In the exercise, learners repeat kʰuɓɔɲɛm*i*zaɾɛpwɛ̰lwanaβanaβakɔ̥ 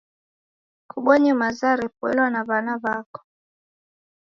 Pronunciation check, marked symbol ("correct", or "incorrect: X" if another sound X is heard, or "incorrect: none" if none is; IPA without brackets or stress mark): incorrect: a